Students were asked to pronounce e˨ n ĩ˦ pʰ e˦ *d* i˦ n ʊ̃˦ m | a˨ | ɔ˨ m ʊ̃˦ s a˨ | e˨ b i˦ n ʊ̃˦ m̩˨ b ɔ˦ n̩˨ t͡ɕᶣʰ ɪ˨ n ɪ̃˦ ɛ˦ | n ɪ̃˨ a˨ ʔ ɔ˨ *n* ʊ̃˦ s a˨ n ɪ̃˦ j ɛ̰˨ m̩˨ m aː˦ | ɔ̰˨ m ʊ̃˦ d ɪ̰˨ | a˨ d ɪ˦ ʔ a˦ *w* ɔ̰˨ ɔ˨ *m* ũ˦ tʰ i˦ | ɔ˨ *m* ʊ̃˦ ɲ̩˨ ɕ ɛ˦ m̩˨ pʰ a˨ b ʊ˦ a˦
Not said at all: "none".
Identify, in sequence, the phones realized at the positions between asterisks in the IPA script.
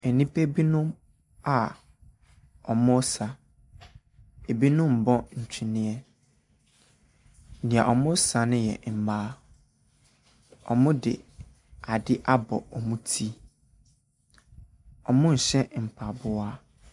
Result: b, m, b, m, m

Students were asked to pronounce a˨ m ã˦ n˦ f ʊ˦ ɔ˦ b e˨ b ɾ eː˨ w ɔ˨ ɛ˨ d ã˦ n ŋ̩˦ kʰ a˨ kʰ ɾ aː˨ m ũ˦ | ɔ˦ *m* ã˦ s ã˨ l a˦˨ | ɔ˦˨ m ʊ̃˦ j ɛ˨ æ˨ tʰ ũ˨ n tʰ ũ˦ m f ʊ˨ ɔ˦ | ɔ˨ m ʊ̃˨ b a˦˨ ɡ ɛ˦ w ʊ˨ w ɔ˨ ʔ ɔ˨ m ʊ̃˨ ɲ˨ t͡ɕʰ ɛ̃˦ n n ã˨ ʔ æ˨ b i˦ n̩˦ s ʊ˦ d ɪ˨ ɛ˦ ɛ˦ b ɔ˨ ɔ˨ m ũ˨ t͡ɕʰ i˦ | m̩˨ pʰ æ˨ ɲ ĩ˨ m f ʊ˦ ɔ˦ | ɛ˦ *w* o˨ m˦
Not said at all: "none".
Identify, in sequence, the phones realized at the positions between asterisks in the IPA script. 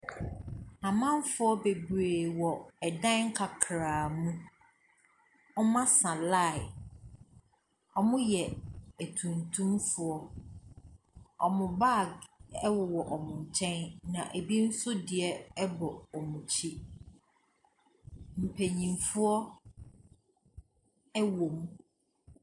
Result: m, w

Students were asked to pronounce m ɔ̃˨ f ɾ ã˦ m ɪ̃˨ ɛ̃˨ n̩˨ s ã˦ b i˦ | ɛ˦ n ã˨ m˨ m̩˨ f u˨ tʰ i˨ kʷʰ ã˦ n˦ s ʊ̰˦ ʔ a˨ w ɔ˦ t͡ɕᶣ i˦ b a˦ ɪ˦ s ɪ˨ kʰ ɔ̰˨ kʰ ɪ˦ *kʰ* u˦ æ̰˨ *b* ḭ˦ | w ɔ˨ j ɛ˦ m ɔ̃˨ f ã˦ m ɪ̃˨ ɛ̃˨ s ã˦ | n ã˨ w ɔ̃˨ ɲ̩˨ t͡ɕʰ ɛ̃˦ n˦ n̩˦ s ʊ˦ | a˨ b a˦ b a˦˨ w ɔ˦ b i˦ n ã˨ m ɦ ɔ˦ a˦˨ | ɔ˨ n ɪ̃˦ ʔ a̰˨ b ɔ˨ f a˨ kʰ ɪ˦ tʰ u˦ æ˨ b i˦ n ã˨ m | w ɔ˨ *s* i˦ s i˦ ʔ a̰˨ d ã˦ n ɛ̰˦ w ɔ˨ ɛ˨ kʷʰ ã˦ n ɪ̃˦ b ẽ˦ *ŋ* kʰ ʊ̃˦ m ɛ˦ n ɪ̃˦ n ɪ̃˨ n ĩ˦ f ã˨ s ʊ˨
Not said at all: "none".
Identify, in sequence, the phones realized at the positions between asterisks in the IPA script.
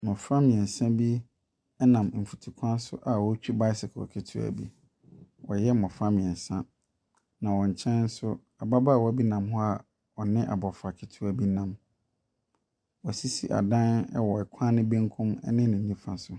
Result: tʰ, b, s, ŋ

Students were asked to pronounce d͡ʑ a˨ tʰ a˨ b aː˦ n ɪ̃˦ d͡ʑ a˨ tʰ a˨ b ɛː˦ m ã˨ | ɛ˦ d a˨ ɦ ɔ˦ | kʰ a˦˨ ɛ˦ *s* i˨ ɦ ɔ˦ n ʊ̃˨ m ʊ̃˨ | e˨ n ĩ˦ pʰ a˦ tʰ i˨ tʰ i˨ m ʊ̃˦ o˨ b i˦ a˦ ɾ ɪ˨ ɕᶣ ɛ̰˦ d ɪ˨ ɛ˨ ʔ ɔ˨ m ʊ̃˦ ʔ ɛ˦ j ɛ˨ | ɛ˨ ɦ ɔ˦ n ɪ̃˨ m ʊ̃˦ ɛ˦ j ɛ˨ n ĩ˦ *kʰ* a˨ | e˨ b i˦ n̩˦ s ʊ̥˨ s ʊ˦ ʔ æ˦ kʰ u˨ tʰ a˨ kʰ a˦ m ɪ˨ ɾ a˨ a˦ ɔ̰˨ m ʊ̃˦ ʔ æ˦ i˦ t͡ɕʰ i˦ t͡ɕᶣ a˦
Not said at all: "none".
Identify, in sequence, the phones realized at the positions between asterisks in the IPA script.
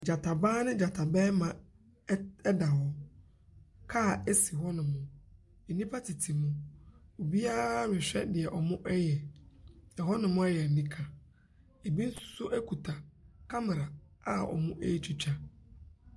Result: s, kʰ

